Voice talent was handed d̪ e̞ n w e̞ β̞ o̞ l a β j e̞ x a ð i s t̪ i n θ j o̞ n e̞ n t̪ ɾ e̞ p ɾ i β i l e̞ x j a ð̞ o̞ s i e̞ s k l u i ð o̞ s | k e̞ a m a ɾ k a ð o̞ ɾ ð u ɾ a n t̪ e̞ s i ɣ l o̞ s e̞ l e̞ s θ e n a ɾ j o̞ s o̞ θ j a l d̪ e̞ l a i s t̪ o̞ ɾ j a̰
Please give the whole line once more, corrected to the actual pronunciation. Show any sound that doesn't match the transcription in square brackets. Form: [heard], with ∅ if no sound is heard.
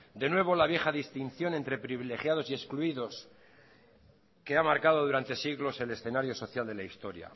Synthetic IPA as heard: d̪ e̞ n w e̞ β̞ o̞ l a β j e̞ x a ð i s t̪ i n θ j o̞ n e̞ n t̪ ɾ e̞ p ɾ i β i l e̞ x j a ð̞ o̞ s i e̞ s k l u i ð o̞ s | k e̞ a m a ɾ k a ð o̞ [∅] ð u ɾ a n t̪ e̞ s i ɣ l o̞ s e̞ l e̞ s θ e n a ɾ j o̞ s o̞ θ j a l d̪ e̞ l a i s t̪ o̞ ɾ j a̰